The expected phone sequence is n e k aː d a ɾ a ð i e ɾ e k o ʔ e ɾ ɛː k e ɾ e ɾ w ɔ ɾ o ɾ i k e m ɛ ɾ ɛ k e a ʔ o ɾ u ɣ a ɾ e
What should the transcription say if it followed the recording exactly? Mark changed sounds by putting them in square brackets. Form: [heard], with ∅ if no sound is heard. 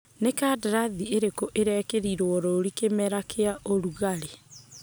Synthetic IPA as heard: n e k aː d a ɾ a ð i e ɾ e k o ʔ e ɾ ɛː k e ɾ [i] ɾ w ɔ ɾ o ɾ i k e m ɛ ɾ [a] k e a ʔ o ɾ u ɣ a ɾ e